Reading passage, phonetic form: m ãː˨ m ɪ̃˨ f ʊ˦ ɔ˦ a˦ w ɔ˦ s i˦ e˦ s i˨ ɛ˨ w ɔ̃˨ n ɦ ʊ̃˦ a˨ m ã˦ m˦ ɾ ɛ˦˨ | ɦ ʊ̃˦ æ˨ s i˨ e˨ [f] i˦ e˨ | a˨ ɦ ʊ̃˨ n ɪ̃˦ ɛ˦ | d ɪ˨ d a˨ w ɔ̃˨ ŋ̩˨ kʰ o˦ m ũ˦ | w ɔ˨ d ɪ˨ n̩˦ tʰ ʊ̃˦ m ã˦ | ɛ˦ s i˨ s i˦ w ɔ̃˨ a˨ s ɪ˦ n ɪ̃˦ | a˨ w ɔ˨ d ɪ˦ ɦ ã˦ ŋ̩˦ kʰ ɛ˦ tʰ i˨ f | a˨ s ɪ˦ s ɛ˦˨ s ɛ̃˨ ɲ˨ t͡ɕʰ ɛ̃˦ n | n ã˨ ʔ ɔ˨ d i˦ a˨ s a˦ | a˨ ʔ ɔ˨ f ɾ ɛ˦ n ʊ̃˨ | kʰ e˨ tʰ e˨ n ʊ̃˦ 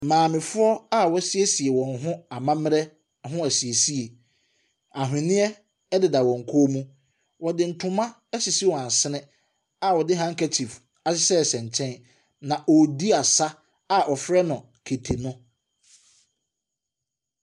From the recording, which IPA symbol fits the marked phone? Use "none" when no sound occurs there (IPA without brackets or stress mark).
s